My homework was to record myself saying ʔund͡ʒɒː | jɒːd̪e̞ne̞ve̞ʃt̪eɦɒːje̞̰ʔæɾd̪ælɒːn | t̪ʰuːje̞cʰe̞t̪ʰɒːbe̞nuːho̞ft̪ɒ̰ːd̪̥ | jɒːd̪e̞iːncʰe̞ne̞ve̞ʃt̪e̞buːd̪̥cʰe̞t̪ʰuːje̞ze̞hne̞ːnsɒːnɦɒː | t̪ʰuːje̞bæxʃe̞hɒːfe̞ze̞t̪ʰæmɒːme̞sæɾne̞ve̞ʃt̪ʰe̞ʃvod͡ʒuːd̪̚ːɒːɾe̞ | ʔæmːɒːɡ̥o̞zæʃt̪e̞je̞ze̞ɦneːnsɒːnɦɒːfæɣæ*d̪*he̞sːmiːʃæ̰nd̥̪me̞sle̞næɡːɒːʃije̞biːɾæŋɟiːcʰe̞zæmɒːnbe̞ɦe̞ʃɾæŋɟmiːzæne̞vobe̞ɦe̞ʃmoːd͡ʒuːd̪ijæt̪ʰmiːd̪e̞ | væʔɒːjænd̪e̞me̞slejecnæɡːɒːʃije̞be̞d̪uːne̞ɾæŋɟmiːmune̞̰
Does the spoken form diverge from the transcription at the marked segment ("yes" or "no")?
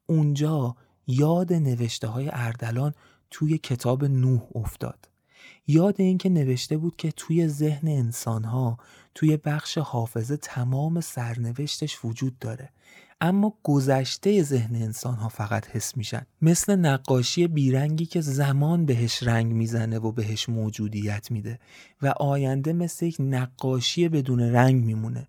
yes